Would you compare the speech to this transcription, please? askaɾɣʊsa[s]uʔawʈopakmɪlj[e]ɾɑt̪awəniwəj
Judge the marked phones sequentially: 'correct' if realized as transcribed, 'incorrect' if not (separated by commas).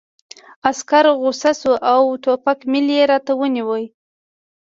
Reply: correct, correct